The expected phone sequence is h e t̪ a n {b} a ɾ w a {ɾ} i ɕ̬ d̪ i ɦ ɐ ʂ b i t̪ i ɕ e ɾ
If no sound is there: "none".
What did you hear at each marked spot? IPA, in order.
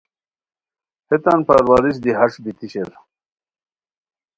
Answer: p, ɾ

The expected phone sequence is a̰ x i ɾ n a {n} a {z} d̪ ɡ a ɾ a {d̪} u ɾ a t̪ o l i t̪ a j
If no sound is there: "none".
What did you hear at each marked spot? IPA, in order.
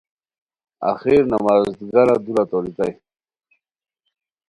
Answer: m, z, d̪

